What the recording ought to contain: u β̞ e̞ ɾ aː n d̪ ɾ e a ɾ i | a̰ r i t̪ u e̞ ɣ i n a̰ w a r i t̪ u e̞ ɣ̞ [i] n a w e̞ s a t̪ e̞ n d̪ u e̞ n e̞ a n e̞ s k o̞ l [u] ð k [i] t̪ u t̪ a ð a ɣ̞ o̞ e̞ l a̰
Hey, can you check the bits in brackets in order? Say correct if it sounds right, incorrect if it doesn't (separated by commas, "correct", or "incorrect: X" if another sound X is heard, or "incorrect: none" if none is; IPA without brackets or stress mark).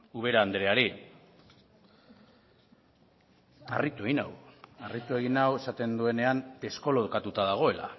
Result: correct, incorrect: o, incorrect: a